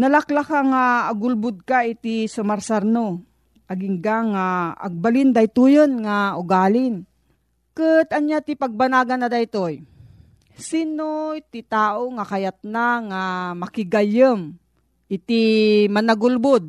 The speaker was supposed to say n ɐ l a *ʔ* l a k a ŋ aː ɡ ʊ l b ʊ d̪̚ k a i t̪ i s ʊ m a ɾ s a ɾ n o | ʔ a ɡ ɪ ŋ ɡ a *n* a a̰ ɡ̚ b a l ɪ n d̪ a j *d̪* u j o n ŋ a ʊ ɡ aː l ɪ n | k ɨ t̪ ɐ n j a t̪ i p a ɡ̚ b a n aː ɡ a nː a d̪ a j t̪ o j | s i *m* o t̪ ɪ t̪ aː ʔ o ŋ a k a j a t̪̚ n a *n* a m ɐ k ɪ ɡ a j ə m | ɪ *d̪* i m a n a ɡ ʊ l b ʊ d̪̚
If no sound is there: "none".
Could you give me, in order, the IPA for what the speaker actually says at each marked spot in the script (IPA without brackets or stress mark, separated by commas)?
k, ŋ, t̪, n, ŋ, t̪